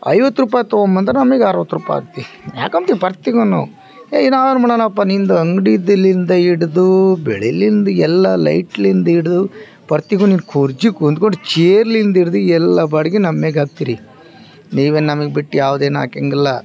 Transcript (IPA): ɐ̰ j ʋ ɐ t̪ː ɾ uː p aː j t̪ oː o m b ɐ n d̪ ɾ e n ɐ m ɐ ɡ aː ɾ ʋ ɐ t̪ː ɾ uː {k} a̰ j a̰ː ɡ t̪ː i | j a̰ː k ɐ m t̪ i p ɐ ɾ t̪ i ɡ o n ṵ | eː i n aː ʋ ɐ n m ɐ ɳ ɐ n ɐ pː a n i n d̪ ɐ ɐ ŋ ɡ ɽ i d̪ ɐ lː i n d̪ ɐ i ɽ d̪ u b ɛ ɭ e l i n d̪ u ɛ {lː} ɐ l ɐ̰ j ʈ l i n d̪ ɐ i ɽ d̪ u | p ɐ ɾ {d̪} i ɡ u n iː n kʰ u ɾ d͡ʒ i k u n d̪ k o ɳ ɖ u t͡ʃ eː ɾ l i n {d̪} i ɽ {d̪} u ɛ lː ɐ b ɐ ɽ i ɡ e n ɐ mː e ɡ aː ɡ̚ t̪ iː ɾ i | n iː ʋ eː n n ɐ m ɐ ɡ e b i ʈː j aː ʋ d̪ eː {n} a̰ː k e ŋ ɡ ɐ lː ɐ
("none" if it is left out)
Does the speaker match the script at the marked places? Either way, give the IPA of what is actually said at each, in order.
p, lː, t̪, d̪, d̪, n

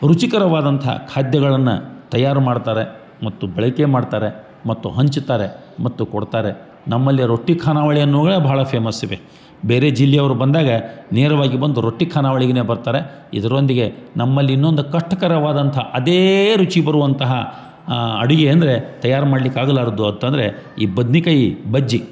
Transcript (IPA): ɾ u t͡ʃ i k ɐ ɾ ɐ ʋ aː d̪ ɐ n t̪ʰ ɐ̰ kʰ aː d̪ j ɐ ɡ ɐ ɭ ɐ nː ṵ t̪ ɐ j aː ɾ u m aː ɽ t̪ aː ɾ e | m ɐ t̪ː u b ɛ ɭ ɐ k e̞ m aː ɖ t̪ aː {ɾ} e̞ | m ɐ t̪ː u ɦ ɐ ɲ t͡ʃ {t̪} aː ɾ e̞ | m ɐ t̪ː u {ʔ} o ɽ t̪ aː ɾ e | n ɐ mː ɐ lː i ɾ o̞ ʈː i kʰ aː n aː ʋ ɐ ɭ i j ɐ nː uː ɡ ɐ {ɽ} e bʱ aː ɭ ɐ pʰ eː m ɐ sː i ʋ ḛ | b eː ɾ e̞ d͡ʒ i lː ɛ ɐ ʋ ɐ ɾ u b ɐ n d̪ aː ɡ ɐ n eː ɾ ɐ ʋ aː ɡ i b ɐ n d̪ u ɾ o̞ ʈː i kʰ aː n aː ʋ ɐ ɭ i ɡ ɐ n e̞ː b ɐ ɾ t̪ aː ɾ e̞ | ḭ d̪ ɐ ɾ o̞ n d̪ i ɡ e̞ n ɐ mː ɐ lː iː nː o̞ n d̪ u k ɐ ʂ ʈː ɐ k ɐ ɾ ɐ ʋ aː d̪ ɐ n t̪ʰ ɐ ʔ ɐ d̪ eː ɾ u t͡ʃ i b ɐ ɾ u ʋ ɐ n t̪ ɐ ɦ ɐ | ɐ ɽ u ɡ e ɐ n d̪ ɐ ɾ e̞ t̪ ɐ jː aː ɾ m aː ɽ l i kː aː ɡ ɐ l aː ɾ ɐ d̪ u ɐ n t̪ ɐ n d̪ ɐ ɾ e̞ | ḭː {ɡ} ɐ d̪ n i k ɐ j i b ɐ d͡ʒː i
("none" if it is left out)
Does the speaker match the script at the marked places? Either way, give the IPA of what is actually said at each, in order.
ɾ, t̪, k, ɭ, b

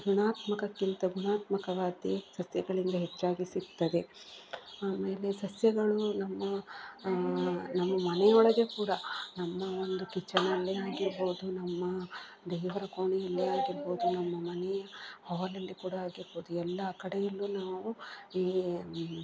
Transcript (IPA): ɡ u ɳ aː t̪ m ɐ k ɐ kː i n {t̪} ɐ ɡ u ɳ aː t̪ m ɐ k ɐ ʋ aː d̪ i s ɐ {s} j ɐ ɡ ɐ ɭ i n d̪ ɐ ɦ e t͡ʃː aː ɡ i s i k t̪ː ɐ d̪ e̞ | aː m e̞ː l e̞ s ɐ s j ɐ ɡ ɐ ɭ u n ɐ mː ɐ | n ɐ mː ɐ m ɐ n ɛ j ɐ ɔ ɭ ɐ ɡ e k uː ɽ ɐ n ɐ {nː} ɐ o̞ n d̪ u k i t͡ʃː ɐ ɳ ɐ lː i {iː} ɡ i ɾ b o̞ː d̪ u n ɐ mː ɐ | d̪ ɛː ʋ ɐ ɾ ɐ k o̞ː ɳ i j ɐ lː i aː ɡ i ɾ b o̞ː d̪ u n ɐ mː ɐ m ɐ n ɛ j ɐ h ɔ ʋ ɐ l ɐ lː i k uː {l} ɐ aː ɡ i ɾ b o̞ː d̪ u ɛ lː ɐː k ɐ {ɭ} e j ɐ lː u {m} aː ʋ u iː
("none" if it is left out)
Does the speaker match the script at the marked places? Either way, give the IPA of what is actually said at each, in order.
t̪, s, mː, aː, ɽ, ɽ, n

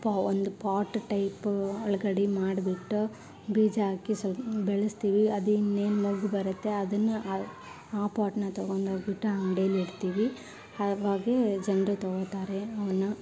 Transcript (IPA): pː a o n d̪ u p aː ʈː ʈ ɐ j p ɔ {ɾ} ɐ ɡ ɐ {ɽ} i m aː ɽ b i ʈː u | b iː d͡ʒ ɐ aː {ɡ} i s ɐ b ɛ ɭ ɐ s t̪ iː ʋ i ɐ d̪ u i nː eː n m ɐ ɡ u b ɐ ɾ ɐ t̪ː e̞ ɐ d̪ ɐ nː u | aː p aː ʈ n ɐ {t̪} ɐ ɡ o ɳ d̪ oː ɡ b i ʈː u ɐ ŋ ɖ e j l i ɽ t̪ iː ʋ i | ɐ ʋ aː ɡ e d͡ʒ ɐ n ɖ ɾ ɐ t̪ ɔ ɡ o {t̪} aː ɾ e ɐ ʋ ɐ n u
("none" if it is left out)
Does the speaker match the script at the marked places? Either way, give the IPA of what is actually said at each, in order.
ɭ, ɽ, k, t̪, t̪

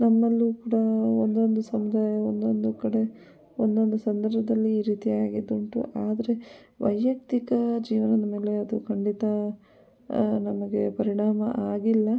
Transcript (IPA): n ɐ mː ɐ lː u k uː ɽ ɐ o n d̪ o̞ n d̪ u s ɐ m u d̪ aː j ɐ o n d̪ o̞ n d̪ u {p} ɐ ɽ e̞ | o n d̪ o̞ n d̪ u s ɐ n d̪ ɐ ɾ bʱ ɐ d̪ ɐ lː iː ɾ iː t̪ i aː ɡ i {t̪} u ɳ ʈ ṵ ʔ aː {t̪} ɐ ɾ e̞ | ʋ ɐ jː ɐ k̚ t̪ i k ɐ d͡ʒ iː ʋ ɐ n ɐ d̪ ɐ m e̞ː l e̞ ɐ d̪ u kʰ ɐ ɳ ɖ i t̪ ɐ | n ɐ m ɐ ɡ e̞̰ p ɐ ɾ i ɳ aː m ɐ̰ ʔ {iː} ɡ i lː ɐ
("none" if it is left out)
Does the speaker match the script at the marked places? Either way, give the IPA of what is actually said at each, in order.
k, d̪, d̪, aː

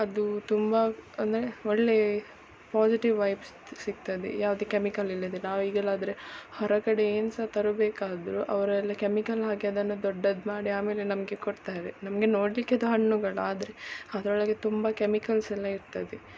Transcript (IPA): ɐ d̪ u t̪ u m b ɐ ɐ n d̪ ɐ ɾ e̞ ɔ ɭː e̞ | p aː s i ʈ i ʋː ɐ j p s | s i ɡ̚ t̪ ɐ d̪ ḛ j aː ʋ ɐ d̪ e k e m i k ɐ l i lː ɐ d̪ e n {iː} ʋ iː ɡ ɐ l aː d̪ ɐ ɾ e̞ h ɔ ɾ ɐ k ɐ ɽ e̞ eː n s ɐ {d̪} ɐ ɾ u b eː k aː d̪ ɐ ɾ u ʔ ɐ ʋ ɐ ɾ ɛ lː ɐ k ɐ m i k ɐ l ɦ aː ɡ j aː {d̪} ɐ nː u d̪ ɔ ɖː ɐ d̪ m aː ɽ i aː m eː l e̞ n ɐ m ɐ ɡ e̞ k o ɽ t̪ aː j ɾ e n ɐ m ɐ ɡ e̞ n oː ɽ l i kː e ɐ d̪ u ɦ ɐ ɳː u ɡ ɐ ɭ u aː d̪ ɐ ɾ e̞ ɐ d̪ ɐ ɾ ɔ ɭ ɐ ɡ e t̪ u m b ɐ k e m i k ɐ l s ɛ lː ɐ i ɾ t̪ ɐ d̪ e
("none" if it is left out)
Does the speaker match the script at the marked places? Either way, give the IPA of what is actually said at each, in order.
aː, t̪, d̪

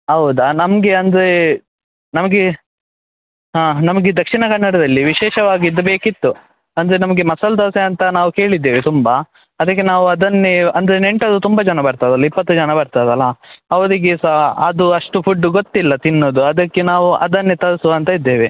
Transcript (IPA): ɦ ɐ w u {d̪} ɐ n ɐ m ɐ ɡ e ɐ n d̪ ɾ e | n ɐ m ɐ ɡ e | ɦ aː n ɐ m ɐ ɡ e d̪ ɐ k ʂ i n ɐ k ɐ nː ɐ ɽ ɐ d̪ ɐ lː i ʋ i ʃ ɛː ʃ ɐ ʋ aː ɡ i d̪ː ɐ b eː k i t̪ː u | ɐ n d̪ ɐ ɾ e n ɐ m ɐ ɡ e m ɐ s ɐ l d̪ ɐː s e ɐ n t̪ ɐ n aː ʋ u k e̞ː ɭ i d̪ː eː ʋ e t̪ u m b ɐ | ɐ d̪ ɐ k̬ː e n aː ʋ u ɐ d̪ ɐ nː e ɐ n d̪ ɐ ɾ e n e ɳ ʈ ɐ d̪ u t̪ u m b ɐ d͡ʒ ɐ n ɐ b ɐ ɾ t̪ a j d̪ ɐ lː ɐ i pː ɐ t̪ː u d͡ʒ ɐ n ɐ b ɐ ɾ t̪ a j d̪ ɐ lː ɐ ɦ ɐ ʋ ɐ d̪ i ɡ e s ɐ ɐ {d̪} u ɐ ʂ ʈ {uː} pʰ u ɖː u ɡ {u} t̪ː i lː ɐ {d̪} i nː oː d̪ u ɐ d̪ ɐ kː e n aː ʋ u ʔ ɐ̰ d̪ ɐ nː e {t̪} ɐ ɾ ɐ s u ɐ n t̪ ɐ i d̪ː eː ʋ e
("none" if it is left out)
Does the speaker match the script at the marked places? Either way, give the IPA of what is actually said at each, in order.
d̪, d̪, u, o, t̪, t̪

